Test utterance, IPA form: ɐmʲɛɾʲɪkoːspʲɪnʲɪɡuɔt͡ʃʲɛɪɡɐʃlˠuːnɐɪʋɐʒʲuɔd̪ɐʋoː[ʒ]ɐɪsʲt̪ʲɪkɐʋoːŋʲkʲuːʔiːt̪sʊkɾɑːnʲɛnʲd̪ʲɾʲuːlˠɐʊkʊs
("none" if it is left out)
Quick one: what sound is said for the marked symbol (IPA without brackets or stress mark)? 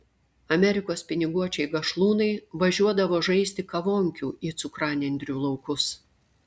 ʒ